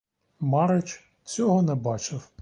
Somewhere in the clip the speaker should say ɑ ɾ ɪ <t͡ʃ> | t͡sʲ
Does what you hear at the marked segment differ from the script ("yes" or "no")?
no